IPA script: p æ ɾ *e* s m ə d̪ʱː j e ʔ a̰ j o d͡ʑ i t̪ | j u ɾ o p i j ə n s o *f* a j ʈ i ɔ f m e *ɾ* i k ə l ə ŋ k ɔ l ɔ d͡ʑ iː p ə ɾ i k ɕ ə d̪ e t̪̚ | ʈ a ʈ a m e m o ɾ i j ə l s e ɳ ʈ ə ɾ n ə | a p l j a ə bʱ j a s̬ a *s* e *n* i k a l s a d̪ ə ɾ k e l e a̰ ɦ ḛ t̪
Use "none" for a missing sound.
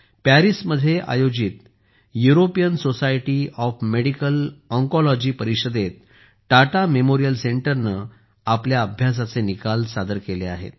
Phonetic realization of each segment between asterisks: i, s, ɽ, t͡s, n

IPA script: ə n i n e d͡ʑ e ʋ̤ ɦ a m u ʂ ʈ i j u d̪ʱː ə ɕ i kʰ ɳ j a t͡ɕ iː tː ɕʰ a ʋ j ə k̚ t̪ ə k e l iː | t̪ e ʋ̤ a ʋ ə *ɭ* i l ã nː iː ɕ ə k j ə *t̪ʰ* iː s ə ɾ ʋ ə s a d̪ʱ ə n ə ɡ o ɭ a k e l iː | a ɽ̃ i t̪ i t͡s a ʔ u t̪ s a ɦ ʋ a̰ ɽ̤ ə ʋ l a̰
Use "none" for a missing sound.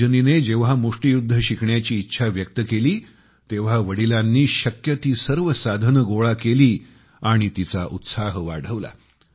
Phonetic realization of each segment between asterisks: ɽ, t̪

